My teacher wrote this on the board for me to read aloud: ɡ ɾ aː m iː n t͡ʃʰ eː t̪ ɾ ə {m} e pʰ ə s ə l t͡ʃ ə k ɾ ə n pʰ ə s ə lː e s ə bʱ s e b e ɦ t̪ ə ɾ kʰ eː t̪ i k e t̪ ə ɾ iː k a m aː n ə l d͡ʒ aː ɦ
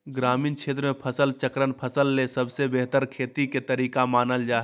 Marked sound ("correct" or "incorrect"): correct